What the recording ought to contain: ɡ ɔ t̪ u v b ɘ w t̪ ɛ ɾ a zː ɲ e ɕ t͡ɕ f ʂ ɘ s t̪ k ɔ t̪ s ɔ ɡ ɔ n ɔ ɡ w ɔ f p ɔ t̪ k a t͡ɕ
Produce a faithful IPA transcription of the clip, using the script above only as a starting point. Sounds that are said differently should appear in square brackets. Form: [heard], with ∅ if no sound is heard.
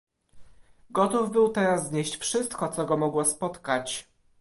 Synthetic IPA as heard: ɡ ɔ t̪ u v b ɘ w t̪ ɛ ɾ a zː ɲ e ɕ t͡ɕ f ʂ ɘ s t̪ k ɔ t̪ s ɔ ɡ ɔ [m] ɔ ɡ w ɔ [s] p ɔ t̪ k a t͡ɕ